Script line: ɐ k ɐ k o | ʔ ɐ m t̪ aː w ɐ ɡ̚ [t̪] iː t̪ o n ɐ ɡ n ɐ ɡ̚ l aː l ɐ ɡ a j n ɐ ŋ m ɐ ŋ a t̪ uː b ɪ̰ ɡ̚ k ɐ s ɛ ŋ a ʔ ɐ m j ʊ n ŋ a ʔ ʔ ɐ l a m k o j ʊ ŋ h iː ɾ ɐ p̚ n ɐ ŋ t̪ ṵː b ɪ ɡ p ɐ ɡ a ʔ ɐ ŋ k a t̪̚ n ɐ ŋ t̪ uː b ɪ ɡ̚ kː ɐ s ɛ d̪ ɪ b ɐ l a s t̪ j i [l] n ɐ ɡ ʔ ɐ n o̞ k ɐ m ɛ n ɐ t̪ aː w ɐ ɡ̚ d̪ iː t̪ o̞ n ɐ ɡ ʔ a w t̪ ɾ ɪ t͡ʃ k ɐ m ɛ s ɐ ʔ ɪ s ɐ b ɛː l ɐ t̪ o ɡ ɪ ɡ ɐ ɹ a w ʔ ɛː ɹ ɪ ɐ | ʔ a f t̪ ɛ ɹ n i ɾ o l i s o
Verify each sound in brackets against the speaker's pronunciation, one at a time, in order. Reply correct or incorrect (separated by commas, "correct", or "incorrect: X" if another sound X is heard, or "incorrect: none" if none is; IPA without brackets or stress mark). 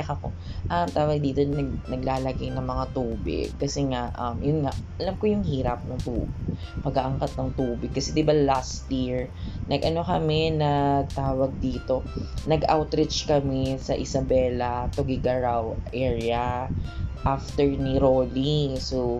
incorrect: d̪, incorrect: ɹ